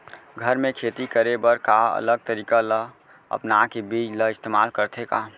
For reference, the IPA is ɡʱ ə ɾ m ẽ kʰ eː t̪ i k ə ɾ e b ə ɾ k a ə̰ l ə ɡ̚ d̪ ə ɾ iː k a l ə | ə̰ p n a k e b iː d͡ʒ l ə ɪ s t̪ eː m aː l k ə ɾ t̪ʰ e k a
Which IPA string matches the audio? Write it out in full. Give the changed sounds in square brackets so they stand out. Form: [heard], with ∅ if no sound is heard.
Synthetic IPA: ɡʱ ə ɾ m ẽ kʰ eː t̪ i k ə ɾ e b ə ɾ k a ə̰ l ə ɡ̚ [t̪] ə ɾ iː k a l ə | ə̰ p n a k e b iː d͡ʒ l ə ɪ s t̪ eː m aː l k ə ɾ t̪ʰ e k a

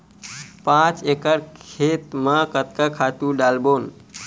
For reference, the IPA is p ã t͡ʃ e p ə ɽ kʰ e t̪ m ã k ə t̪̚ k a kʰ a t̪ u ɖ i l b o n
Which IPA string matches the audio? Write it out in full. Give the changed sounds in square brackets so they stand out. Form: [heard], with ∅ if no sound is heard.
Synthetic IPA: p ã t͡ʃ e [k] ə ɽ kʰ e t̪ m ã k ə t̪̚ k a kʰ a t̪ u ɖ [a] l b o n

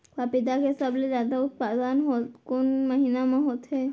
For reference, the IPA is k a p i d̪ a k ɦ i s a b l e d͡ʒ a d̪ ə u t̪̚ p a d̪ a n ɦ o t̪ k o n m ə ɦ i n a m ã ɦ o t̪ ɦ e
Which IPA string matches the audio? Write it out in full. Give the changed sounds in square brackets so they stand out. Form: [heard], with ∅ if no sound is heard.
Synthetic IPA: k a p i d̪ a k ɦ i s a b l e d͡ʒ a d̪ [a] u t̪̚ p a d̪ a n ɦ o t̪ k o n m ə ɦ i n a m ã ɦ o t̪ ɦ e

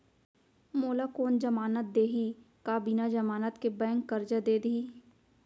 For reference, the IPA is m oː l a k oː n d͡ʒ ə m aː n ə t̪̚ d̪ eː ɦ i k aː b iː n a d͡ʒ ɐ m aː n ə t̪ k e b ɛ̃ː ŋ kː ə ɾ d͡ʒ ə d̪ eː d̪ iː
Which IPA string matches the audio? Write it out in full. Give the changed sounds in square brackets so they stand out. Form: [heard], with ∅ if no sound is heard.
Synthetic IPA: m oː l a k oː n d͡ʒ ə m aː n ə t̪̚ d̪ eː ɦ i k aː b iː n a d͡ʒ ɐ m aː n ə t̪ k e b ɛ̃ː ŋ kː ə ɾ d͡ʒ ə d̪ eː d̪ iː

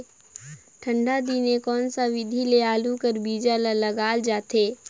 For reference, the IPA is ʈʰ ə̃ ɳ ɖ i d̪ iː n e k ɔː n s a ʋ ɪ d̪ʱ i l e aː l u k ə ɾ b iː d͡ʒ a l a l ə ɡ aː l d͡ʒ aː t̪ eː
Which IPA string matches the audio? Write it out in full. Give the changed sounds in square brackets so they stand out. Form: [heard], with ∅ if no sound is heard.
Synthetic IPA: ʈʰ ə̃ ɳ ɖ [a] d̪ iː n e k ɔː n s a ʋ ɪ d̪ʱ i l e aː l u k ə ɾ b iː d͡ʒ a l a l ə ɡ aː l d͡ʒ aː t̪ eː

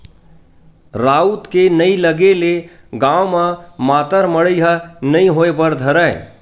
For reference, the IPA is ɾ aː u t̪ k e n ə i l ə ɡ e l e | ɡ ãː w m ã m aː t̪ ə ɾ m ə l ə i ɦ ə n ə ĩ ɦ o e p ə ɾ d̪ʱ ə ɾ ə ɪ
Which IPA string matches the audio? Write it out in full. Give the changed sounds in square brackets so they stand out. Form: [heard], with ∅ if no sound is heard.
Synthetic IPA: ɾ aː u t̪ k e n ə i l ə ɡ e l e | ɡ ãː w m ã m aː t̪ ə ɾ m ə [ɽ] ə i ɦ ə n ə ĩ ɦ o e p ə ɾ d̪ʱ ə ɾ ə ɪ

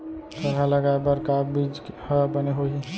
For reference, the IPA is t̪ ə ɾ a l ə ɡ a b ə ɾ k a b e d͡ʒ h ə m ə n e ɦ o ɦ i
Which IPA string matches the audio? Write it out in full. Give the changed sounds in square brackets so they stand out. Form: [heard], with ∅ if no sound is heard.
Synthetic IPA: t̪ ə ɾ a l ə ɡ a b ə ɾ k a b [i] d͡ʒ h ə [b] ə n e ɦ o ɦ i

